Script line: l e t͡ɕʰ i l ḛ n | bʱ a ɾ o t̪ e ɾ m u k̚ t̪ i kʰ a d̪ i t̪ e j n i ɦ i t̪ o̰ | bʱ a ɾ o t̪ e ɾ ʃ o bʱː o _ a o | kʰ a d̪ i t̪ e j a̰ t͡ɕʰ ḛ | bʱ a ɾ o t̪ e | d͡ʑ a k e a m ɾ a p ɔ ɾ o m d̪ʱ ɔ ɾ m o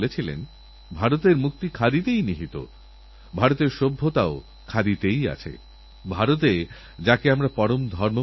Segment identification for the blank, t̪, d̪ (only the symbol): t̪